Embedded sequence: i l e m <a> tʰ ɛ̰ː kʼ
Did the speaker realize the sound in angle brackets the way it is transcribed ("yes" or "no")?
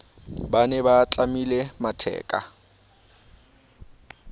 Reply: yes